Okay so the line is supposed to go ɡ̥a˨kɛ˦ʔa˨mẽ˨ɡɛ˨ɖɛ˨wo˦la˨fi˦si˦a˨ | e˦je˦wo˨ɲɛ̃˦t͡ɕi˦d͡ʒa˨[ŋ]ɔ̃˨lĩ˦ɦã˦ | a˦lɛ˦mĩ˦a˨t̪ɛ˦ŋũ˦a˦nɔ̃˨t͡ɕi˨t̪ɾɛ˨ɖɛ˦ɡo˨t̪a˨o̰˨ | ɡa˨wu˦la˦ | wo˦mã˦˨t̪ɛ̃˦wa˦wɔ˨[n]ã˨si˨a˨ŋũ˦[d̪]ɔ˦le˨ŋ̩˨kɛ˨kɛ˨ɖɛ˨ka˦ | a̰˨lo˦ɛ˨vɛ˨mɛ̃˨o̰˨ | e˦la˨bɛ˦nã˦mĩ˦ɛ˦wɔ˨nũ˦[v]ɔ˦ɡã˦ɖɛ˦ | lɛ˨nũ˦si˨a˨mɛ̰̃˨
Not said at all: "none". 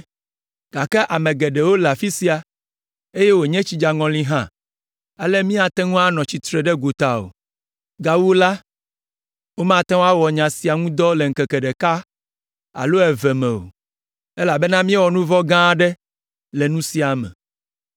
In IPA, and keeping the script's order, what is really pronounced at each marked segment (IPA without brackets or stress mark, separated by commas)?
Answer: ŋ, ɲ, d̪, v